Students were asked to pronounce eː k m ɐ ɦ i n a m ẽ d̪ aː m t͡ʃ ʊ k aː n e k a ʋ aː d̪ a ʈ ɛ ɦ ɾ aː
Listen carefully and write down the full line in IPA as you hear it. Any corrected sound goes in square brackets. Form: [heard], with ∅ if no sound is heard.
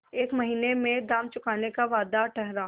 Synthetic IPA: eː k m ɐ ɦ [iː] n [e] m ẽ d̪ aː m t͡ʃ ʊ k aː n e k a ʋ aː d̪ a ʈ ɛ ɦ ɾ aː